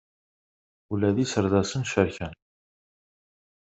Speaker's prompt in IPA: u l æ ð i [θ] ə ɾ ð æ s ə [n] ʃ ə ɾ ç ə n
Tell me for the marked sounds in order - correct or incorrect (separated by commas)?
incorrect, correct